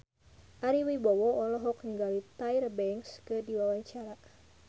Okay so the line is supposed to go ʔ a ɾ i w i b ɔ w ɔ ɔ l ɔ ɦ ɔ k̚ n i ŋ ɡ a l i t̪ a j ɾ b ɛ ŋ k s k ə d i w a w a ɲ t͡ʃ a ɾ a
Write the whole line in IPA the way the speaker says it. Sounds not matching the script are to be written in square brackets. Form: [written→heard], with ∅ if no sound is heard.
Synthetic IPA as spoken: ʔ a ɾ i w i b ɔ w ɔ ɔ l ɔ ɦ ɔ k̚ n i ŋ ɡ a l i t̪ a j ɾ b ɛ ŋ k s k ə d i w a w a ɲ t͡ʃ a ɾ a